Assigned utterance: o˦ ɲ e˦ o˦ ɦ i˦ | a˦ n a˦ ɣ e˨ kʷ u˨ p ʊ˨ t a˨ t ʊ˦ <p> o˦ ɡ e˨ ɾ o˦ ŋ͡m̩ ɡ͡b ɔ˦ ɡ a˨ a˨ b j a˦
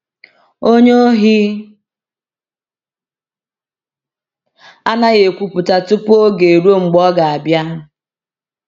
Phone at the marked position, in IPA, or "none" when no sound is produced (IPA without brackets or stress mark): p